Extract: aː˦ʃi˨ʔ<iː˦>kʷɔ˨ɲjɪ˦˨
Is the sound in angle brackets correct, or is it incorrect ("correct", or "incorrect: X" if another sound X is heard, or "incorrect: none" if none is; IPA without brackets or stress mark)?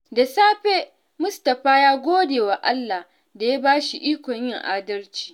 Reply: correct